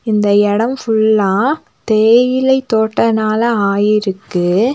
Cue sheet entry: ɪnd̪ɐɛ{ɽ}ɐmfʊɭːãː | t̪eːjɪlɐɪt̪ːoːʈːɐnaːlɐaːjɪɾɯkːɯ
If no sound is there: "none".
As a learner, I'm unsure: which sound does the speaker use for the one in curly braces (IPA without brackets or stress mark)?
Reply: ɽ